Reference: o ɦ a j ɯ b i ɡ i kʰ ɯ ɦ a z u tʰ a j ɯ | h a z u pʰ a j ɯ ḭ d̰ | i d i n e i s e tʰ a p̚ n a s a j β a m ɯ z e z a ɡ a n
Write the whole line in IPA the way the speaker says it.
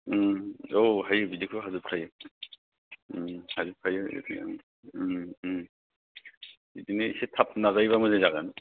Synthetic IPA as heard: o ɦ a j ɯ b i d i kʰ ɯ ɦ a z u pʰ a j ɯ | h a z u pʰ a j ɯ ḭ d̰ | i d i n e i s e tʰ a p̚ n a z a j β a m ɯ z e z a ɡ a n